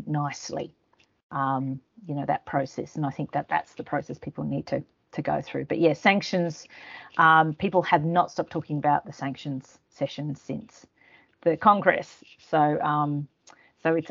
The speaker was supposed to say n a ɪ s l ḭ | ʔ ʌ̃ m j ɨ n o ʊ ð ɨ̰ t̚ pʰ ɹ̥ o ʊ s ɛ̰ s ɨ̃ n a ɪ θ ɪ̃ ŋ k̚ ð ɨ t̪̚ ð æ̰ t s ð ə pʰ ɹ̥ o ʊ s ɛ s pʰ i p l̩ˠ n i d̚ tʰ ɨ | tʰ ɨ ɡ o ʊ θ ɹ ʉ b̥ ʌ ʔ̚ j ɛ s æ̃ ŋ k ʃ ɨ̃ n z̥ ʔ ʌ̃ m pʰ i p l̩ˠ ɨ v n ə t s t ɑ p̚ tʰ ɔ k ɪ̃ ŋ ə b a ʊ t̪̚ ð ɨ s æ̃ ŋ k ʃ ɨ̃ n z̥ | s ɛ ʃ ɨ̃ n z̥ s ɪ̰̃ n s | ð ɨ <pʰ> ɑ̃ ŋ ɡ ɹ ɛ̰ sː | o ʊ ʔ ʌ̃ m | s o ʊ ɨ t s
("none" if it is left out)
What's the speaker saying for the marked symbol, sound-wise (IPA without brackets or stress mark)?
kʰ